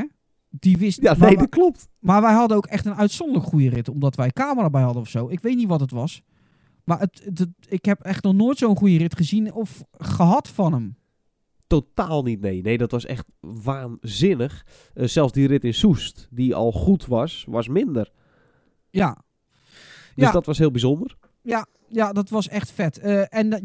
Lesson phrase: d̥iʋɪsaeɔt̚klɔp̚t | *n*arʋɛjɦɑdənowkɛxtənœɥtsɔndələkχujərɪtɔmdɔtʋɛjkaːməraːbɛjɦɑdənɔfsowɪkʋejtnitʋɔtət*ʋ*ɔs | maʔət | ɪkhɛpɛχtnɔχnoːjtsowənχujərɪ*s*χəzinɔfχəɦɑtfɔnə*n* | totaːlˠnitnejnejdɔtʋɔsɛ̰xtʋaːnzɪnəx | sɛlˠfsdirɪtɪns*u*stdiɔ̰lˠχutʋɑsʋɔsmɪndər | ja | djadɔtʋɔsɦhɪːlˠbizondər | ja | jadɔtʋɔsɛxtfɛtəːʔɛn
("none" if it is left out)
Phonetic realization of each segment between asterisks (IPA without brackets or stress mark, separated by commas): m, ʋ, t, m, u